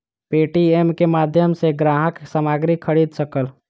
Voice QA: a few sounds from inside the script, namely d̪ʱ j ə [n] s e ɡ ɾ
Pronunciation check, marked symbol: incorrect: m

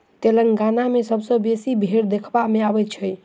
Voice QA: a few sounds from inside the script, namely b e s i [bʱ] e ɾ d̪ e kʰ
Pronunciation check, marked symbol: correct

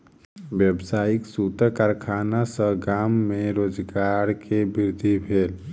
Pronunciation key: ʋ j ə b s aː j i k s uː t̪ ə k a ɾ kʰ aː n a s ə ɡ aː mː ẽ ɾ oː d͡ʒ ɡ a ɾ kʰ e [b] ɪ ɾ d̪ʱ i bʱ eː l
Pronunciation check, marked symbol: correct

